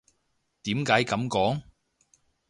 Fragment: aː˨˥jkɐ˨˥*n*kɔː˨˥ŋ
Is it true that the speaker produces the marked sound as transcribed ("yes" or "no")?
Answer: no